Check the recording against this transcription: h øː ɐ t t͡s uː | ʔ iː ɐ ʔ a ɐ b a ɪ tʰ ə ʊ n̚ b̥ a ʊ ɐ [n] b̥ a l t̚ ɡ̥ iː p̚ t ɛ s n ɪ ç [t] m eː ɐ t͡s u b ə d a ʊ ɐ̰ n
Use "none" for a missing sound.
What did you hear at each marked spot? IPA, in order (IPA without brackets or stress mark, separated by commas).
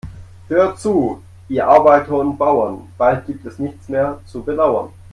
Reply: n, t͡s